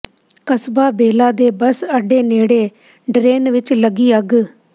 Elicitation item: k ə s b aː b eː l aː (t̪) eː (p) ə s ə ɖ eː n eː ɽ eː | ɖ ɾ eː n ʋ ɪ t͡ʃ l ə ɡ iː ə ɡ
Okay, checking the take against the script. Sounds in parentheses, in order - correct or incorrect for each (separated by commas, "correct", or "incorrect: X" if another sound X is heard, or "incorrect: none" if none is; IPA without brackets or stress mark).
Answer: incorrect: d̪, incorrect: b